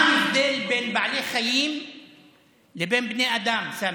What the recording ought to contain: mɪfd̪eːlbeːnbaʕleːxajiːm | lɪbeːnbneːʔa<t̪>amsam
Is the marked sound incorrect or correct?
incorrect